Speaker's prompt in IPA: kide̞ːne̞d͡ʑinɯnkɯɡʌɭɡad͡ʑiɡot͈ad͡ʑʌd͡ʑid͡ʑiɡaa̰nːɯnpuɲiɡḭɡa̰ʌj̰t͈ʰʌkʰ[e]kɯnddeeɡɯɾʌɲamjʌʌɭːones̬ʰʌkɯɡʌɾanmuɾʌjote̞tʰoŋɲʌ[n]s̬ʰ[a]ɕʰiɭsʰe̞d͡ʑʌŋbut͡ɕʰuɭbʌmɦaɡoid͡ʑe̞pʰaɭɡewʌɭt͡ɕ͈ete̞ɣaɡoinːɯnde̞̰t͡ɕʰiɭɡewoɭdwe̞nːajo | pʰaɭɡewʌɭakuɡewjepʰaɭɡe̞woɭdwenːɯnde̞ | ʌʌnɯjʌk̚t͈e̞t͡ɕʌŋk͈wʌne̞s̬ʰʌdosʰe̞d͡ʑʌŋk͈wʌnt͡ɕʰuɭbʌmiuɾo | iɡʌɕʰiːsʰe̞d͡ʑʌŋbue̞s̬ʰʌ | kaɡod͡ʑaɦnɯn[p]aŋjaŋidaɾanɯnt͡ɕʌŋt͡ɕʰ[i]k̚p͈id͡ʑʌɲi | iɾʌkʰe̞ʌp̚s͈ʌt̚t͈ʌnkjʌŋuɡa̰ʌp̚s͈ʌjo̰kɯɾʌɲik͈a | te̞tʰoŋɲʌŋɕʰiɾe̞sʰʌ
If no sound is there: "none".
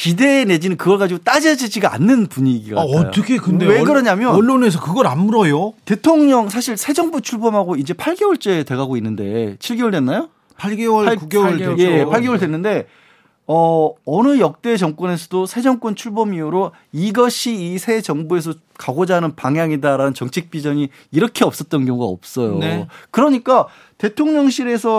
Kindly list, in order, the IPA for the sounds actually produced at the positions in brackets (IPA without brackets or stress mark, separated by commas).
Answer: e, ŋ, a, p, i